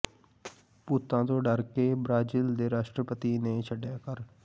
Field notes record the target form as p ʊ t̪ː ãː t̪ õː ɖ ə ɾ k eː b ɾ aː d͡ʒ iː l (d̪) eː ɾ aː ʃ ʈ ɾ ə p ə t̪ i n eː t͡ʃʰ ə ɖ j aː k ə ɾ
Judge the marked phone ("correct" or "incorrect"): correct